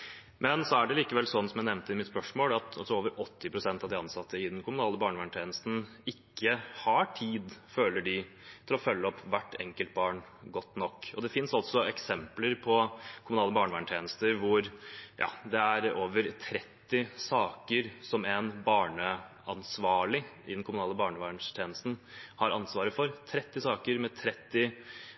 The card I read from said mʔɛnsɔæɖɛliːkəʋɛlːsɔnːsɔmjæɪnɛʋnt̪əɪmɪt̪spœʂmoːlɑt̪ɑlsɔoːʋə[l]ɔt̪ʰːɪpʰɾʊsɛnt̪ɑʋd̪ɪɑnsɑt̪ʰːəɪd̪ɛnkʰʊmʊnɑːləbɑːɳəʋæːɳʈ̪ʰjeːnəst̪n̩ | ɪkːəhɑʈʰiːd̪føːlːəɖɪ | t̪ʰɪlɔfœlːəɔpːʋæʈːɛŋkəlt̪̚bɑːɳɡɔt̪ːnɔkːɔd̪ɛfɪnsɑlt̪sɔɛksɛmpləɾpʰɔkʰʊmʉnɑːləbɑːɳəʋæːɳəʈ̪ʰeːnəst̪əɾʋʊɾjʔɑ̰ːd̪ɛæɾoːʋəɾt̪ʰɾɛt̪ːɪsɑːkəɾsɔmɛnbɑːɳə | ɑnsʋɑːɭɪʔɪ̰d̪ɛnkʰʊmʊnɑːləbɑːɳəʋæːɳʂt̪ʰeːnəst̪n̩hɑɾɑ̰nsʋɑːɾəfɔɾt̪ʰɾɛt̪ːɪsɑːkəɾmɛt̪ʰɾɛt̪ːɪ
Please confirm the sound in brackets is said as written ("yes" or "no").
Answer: no